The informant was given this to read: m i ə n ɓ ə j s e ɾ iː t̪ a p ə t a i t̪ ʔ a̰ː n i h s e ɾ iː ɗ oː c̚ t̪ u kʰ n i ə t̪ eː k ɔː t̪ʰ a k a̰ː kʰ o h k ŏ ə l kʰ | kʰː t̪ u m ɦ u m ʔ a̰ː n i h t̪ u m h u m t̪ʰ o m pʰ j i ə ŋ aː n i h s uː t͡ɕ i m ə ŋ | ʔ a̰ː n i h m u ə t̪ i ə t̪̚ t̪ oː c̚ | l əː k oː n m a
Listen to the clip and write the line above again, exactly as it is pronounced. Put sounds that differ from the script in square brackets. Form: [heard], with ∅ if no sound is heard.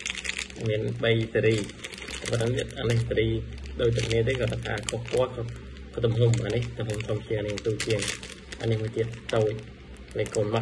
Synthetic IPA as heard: m i ə n ɓ ə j s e ɾ iː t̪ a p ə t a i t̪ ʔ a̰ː n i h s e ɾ iː ɗ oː c̚ t̪ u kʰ n i ə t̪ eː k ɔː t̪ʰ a k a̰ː kʰ o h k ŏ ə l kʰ | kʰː t̪ u m ɦ u m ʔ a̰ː n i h t̪ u m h u m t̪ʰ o m pʰ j i ə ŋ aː n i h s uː t͡ɕ i [∅] ə ŋ | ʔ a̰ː n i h m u ə t̪ i ə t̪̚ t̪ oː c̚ | l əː k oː n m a